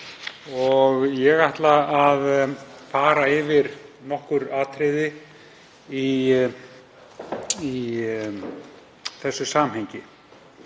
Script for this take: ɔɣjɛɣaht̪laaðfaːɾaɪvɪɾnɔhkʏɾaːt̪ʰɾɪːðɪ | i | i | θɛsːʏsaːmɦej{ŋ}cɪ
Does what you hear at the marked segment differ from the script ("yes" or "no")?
yes